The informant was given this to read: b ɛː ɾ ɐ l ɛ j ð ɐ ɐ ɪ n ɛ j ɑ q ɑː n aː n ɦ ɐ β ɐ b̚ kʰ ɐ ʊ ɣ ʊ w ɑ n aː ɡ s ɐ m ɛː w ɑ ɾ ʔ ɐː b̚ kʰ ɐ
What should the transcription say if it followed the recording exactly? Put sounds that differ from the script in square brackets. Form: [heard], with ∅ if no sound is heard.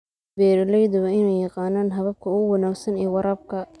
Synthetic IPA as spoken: b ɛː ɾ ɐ l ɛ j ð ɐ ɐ ɪ n ɛ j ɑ q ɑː n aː n ɦ ɐ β ɐ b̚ kʰ ɐ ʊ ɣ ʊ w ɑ n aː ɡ s ɐ [n] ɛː w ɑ ɾ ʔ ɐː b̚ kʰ ɐ